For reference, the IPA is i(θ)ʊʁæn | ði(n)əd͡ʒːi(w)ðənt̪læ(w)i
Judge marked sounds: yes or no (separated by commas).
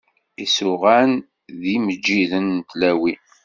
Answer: no, no, no, yes